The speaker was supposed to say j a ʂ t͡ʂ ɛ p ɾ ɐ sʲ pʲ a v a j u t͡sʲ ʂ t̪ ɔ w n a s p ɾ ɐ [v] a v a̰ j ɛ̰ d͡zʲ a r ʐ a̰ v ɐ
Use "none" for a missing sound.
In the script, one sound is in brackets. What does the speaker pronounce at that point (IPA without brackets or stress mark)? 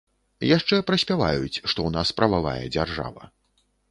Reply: v